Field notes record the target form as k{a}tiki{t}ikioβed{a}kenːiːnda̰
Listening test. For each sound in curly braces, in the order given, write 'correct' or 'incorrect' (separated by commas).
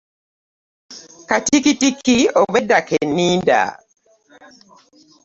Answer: correct, correct, correct